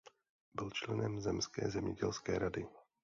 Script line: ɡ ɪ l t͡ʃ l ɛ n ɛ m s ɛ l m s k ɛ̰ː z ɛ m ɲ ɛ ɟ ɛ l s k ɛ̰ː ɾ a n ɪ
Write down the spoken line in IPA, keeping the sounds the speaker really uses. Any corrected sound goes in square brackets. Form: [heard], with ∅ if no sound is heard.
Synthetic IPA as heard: [b] ɪ l t͡ʃ l ɛ n ɛ m [z] ɛ [∅] m s k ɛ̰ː z ɛ m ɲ ɛ ɟ ɛ l s k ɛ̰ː ɾ a [d] ɪ